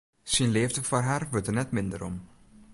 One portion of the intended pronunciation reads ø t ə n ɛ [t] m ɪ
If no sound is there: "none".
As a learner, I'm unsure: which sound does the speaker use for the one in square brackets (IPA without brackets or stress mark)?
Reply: t